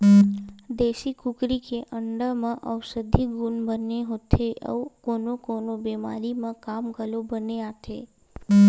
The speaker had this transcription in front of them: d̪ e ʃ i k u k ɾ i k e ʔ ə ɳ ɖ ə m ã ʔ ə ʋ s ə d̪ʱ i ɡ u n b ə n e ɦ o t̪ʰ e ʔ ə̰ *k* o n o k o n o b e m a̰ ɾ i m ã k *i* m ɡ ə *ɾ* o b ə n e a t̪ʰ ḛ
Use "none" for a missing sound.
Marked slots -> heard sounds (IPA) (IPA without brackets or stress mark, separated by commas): k, a, l